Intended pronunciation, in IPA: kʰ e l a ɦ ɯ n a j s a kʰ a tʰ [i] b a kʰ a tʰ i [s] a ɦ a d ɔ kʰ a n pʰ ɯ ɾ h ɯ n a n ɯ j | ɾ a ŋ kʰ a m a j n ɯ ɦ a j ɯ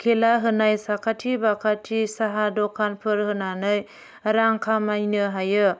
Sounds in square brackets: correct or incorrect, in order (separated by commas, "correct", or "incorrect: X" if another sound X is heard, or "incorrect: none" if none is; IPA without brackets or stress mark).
correct, correct